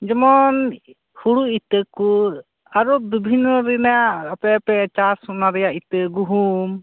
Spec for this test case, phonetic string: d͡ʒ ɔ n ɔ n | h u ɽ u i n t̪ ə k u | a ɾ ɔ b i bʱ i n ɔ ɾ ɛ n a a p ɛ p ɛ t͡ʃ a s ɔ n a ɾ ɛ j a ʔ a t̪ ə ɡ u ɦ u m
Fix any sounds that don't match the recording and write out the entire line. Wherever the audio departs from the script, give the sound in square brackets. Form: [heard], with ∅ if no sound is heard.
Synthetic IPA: d͡ʒ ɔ [m] ɔ n | h u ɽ u i [∅] t̪ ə k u | a ɾ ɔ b i bʱ i n ɔ ɾ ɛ n a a p ɛ p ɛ t͡ʃ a s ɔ n a ɾ ɛ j a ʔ [i] t̪ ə ɡ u ɦ u m